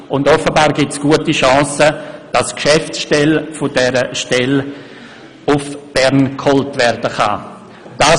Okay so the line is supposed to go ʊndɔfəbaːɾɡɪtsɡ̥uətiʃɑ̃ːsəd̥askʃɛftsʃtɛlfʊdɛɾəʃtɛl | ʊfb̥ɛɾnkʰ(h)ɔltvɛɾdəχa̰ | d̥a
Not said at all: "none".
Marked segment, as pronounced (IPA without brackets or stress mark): h